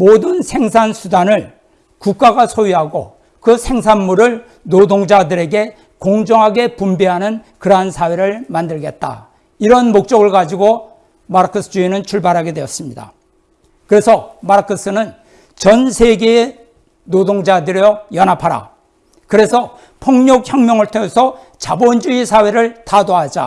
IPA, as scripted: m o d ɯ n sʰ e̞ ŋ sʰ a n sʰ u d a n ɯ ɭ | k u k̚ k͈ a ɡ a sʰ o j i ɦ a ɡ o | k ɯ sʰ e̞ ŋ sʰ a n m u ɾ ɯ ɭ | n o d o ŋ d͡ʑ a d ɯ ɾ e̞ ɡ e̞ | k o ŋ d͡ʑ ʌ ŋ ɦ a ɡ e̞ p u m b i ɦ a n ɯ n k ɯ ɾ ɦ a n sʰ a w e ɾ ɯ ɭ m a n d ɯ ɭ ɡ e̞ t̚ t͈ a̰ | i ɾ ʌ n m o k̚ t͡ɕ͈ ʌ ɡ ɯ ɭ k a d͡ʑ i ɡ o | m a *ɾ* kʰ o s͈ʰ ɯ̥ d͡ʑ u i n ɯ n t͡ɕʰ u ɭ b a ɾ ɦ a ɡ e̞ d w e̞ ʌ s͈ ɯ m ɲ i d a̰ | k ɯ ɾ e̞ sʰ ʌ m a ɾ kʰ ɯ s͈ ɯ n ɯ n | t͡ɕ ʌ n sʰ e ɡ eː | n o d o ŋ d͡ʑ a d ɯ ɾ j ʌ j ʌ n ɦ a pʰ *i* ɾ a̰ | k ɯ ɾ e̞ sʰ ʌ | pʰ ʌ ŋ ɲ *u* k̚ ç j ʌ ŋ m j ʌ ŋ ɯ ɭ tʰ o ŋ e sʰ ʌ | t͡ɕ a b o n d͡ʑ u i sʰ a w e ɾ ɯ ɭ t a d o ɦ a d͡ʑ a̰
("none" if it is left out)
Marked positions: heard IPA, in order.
ɾ, a, o

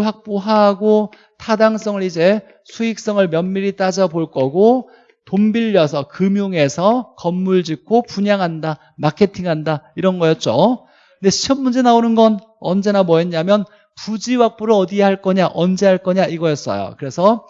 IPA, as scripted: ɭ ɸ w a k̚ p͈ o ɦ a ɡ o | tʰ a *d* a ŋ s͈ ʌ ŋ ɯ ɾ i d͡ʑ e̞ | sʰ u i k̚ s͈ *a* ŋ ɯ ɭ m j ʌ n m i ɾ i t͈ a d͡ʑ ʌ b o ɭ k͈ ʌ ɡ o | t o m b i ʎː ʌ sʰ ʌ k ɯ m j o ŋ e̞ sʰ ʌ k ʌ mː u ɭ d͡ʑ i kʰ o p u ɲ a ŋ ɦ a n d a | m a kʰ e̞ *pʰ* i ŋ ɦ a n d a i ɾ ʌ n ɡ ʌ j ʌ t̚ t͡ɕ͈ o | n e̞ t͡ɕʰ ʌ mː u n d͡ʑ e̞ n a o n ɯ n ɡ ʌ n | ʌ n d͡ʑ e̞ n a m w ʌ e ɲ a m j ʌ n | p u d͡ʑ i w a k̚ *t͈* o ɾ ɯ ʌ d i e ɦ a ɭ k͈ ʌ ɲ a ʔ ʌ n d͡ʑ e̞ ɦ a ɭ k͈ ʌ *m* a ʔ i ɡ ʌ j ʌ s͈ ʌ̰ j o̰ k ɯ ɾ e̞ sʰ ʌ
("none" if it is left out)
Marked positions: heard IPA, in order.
d, ʌ, tʰ, p͈, ɲ

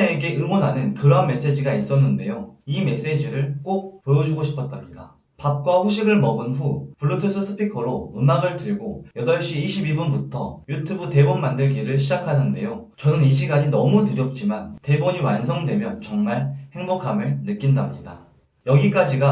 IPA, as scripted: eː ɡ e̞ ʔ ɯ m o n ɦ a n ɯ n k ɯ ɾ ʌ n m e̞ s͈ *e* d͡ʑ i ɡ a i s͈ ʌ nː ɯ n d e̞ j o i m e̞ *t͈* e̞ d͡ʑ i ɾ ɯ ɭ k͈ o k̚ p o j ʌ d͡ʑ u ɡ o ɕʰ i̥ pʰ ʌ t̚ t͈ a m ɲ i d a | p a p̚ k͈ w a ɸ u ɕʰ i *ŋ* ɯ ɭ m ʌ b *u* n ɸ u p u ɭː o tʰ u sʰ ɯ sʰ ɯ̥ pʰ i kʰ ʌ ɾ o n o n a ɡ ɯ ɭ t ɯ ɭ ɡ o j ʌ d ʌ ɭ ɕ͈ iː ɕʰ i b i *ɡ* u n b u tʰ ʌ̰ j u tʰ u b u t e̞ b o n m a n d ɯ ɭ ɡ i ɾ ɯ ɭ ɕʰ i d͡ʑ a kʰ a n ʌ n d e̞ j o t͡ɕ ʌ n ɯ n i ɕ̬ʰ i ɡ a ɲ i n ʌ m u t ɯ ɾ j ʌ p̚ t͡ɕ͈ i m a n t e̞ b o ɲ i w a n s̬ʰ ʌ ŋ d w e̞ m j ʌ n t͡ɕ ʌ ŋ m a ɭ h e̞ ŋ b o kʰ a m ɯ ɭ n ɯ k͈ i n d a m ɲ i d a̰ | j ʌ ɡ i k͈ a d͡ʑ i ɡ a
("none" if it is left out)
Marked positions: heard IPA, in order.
e, s͈, ɡ, ɯ, b

